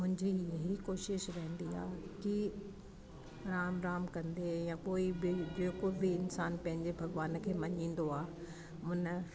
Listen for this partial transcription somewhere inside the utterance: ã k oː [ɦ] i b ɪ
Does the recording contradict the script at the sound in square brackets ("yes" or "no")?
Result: yes